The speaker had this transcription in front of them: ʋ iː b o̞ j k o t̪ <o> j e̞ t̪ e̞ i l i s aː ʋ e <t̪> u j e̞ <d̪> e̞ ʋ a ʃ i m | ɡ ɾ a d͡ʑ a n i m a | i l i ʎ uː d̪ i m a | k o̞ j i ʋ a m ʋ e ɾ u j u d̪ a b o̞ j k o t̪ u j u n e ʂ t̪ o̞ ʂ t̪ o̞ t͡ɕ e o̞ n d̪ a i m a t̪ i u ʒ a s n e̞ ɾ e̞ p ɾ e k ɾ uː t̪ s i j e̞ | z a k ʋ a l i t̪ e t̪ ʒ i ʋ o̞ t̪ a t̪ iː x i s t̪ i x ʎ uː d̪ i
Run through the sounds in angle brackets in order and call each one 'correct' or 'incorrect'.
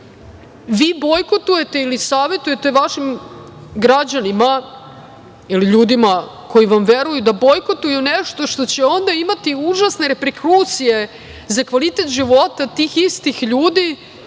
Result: incorrect: u, correct, incorrect: t̪

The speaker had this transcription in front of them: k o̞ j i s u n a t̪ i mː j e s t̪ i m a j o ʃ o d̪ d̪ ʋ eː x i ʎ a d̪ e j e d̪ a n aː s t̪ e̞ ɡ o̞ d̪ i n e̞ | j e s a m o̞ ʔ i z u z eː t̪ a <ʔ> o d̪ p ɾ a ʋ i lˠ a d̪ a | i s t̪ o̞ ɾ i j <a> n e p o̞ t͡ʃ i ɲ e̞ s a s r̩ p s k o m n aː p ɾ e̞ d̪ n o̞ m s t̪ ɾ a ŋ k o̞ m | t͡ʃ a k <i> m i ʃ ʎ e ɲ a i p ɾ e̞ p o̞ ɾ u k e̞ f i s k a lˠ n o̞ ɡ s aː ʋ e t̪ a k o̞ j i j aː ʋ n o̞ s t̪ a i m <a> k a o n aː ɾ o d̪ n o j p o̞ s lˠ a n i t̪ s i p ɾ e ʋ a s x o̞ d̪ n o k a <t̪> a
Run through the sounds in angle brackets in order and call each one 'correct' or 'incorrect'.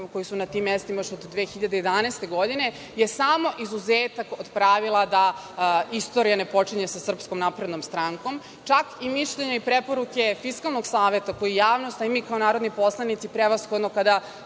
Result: incorrect: k, correct, correct, incorrect: i, incorrect: d̪

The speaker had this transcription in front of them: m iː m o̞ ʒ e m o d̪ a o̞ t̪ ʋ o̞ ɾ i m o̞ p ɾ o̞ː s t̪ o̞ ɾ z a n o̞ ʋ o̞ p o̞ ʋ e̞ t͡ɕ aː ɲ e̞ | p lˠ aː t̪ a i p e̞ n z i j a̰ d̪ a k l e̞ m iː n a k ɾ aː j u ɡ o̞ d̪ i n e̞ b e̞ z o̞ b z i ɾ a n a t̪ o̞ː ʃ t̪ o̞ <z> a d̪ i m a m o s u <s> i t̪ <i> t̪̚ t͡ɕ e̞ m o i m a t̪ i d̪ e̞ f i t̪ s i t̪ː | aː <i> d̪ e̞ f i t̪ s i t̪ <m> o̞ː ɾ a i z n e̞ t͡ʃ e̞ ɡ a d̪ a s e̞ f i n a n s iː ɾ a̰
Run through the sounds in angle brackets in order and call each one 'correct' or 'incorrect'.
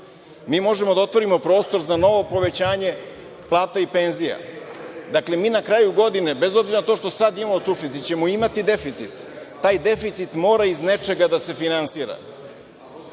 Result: incorrect: s, incorrect: f, correct, incorrect: j, correct

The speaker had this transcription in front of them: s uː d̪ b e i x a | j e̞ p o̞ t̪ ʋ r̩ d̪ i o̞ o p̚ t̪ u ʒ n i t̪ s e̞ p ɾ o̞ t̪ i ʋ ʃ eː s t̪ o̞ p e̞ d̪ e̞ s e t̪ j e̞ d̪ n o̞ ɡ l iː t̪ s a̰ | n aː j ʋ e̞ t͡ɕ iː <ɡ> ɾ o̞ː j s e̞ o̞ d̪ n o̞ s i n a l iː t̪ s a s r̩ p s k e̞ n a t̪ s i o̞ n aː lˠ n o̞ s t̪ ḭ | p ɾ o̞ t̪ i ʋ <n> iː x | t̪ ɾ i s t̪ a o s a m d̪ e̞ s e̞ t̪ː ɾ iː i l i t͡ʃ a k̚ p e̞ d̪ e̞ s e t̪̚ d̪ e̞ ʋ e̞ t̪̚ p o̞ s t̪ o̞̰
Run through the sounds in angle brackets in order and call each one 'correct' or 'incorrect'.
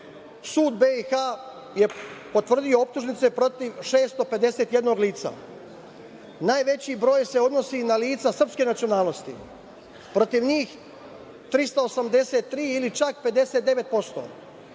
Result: incorrect: b, incorrect: ɲ

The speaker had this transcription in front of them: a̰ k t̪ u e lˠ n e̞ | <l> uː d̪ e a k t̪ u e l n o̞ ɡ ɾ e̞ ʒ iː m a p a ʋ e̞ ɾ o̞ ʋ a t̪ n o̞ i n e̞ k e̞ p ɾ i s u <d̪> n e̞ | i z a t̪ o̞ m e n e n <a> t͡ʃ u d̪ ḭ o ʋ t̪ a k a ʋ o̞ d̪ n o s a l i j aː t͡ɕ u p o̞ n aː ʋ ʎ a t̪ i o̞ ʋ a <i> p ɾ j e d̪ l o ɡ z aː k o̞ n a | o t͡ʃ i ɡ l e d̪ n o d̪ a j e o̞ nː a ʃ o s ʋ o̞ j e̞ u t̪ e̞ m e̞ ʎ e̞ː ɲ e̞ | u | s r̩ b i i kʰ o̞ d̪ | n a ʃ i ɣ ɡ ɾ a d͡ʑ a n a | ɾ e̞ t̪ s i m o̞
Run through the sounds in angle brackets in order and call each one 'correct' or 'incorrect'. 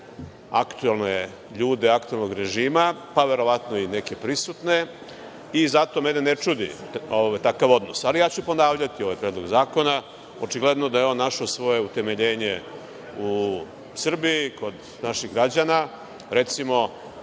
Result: incorrect: ʎ, incorrect: t̪, incorrect: e, incorrect: j

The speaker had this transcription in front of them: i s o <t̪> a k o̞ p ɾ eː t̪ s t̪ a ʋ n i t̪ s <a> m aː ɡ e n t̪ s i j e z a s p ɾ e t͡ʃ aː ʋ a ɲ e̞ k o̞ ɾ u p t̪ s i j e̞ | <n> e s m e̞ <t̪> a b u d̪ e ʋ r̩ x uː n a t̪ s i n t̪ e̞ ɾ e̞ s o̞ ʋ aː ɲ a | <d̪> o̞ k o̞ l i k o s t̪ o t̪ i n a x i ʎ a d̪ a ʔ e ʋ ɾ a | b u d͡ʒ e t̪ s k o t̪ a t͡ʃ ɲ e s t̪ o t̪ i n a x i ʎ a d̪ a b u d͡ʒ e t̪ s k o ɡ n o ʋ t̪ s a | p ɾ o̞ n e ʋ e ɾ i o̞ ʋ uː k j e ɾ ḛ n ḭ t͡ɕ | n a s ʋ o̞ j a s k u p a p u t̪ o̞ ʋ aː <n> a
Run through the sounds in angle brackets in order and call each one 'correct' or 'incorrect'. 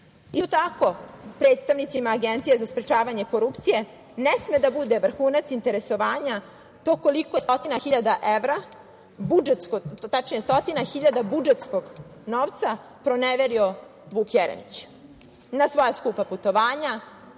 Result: correct, incorrect: i, correct, incorrect: d̪, incorrect: t̪, incorrect: ɲ

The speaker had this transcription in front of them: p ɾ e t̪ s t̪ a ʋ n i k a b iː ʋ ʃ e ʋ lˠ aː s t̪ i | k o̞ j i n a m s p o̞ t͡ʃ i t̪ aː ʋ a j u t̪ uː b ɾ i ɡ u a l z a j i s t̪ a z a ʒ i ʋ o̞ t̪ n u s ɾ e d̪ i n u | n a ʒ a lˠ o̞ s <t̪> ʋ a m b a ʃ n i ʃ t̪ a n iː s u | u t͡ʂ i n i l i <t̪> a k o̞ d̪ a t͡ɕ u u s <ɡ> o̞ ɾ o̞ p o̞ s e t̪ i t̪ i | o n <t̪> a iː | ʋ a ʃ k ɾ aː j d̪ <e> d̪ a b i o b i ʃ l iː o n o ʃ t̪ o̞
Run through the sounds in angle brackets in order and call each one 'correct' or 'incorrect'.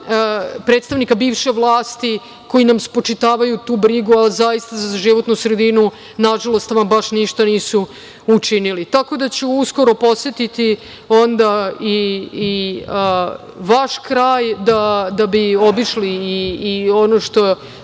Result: correct, correct, incorrect: k, incorrect: d̪, incorrect: a

